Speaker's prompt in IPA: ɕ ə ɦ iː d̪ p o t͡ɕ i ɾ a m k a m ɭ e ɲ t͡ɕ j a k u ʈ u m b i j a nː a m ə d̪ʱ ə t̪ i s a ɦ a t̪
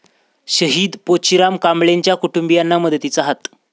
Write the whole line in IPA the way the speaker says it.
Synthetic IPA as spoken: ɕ ə ɦ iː d̪ p o t͡ɕ i ɾ a m k a m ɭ e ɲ t͡ɕ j a k u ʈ u m b i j a nː a m ə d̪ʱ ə t̪ i t͡s a ɦ a t̪